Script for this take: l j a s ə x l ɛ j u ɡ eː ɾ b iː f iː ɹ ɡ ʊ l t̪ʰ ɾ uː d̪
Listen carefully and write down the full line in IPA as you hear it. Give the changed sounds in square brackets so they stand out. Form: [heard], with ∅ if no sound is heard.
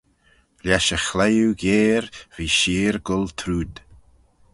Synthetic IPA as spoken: l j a [ʃ] ə x l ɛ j u ɡ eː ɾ [v] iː [ʃ] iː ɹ ɡ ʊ l t̪ʰ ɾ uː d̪